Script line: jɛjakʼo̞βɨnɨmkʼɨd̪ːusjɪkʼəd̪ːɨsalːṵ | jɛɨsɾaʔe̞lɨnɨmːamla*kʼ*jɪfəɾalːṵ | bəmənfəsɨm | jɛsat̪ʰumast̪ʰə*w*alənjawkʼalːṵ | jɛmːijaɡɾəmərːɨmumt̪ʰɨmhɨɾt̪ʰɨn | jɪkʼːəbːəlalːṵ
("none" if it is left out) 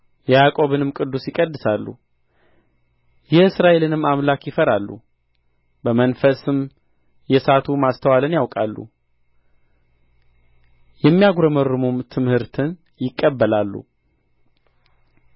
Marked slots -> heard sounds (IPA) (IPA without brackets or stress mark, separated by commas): k, w